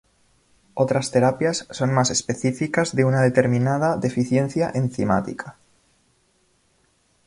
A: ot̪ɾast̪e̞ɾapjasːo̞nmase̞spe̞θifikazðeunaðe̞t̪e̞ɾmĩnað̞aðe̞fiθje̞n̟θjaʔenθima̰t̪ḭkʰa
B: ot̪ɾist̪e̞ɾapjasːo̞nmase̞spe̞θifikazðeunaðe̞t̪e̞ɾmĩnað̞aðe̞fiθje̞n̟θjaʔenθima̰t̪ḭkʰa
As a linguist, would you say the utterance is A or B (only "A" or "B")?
A